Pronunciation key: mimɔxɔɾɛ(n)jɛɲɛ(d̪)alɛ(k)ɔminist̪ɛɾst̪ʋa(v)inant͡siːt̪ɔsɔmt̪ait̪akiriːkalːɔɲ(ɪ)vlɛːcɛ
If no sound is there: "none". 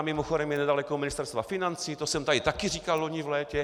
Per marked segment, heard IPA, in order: m, d̪, k, f, i

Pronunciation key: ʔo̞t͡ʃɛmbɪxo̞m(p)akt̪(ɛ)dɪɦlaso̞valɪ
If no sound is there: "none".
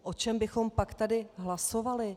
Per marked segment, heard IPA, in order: p, a

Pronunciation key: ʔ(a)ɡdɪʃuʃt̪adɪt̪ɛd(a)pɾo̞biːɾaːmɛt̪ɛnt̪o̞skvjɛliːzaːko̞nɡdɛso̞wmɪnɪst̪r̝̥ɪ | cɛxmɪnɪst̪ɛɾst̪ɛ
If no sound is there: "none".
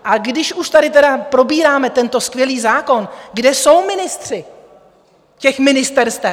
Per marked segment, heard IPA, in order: a, a

